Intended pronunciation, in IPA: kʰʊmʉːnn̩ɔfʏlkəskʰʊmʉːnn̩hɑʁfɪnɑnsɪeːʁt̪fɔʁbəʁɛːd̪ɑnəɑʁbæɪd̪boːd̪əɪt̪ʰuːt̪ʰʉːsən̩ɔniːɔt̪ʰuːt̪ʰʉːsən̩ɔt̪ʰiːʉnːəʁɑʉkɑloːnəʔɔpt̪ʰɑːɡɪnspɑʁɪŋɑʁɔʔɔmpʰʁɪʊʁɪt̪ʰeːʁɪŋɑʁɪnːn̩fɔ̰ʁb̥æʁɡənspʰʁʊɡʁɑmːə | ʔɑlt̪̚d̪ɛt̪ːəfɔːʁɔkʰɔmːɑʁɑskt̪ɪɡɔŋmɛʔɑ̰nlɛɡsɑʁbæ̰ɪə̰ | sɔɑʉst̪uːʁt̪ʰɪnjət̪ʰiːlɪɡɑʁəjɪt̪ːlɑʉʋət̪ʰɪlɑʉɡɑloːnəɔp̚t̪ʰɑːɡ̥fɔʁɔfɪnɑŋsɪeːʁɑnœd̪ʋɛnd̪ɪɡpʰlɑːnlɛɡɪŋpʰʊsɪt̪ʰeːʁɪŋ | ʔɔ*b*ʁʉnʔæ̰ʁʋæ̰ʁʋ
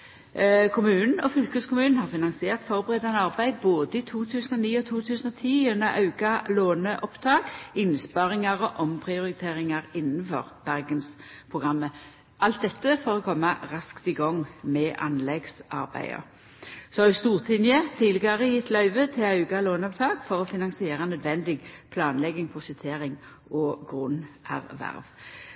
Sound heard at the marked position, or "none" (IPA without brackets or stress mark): ɡ